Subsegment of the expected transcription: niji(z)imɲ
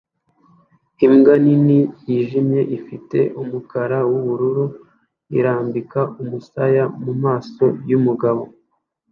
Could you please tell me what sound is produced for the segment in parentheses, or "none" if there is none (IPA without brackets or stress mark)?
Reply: ʒ